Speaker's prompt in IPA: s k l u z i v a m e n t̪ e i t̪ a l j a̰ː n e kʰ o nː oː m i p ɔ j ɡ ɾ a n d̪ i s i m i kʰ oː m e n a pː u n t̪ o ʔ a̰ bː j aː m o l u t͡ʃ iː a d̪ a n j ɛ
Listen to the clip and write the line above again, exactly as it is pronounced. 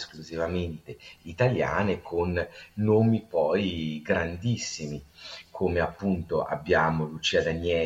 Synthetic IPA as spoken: s k l u z i v a m e n t̪ e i t̪ a l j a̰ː n e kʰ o nː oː m i p ɔ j ɡ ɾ a n d̪ i sː i m i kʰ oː m e a pː u n t̪ o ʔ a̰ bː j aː m o l u t͡ʃ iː a d̪ a n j ɛ